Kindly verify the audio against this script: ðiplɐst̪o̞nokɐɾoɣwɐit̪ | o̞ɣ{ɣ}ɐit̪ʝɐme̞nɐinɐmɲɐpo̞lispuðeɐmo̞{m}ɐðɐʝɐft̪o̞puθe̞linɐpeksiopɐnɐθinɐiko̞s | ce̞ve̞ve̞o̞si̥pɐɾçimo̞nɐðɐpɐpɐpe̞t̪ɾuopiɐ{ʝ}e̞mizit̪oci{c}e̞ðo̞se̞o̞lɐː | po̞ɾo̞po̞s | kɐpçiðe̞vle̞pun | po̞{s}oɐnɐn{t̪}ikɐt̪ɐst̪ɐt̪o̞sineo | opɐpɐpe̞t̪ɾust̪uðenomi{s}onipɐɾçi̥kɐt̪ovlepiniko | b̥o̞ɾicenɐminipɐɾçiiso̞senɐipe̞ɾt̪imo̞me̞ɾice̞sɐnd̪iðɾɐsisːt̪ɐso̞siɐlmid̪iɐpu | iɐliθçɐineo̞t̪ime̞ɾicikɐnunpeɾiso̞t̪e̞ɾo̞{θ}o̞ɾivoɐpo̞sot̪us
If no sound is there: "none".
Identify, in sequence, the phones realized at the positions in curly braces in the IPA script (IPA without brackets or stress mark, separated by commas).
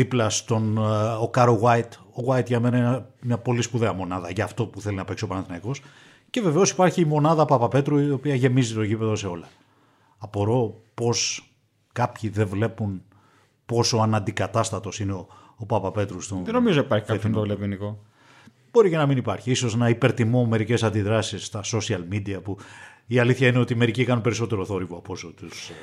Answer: w, n, ʝ, p, s, d̪, z, θ